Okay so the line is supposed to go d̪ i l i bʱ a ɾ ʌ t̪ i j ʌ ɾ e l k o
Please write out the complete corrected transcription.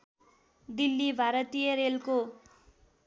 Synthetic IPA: d̪ i lː i bʱ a ɾ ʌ t̪ i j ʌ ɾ e l k o